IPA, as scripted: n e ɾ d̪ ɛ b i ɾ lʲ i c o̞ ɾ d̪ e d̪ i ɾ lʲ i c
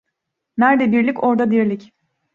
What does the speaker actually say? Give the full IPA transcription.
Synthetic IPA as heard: n æ ɾ d̪ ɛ b i ɾ lʲ i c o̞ ɾ d̪ a d̪ i ɾ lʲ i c